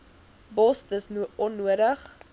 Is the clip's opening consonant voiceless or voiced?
voiced